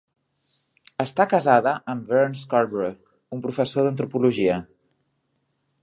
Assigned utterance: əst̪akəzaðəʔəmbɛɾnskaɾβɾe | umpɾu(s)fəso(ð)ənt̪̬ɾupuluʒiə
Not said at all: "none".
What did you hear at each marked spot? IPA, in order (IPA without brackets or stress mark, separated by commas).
none, ð